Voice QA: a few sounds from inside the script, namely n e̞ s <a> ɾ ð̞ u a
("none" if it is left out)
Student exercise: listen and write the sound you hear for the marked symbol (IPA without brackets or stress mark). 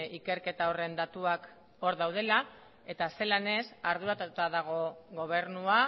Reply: a